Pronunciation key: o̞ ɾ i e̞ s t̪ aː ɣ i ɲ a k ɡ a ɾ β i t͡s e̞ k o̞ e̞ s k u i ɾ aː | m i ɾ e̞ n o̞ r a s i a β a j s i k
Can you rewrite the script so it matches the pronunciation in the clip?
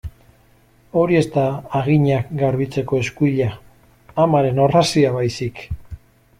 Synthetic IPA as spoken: o̞ ɾ i e̞ s t̪ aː ɣ i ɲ a k ɡ a ɾ β i t͡s e̞ k o̞ e̞ s k u i ʎ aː | m a ɾ e̞ n o̞ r a s i a β a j s i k